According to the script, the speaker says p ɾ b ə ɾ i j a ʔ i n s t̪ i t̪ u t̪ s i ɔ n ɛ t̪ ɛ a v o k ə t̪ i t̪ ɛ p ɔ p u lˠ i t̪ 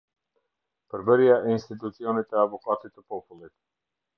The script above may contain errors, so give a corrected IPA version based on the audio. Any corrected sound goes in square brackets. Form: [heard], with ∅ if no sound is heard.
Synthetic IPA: p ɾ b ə ɾ i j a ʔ i n s t̪ i t̪ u t̪ s i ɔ n [i] t̪ ɛ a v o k [a] t̪ i t̪ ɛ p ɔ p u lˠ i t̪